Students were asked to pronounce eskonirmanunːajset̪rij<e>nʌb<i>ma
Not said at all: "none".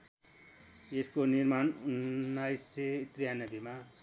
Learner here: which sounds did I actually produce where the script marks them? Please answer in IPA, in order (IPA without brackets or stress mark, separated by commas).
a, i